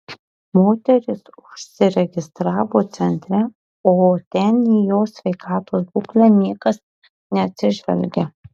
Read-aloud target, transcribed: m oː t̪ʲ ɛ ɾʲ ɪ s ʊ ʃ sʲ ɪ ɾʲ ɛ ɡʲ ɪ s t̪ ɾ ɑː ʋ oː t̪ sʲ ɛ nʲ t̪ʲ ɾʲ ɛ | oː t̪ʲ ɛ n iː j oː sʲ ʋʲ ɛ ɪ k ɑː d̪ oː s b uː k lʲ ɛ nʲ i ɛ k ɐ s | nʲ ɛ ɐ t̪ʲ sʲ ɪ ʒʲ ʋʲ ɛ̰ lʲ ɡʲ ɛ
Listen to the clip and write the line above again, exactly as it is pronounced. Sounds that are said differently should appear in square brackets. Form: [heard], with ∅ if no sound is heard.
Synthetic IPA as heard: m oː t̪ʲ ɛ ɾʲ ɪ s ʊ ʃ sʲ ɪ ɾʲ ɛ ɡʲ ɪ s t̪ ɾ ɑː ʋ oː t̪ sʲ ɛ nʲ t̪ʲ ɾʲ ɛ | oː t̪ʲ ɛ n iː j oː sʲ ʋʲ ɛ ɪ k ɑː [t̪] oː s b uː k lʲ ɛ nʲ i ɛ k ɐ s | nʲ ɛ ɐ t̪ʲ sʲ ɪ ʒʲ ʋʲ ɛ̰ lʲ ɡʲ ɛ